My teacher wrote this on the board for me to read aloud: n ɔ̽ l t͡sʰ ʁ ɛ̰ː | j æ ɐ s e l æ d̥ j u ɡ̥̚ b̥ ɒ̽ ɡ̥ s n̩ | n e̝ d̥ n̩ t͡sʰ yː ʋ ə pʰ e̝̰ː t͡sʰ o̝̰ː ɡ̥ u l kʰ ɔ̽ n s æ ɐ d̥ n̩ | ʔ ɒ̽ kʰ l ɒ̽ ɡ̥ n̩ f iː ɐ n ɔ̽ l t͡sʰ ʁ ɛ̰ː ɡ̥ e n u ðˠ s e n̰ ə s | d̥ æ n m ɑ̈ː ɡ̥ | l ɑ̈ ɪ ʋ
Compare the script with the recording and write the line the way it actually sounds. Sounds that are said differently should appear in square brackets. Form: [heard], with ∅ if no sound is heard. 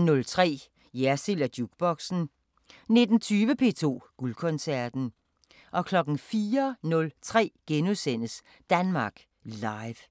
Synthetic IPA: n ɔ̽ l t͡sʰ ʁ ɛ̰ː | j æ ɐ s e l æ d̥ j u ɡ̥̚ b̥ ɒ̽ ɡ̥ s n̩ | n e̝ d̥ n̩ t͡sʰ yː ʋ ə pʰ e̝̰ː t͡sʰ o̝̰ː ɡ̥ u l kʰ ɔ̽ n s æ ɐ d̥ n̩ | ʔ ɒ̽ kʰ l ɒ̽ ɡ̥ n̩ f iː ɐ n ɔ̽ l t͡sʰ ʁ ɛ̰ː ɡ̥ e n u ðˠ s e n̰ ə s | d̥ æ n m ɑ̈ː ɡ̥ | l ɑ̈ ɪ ʋ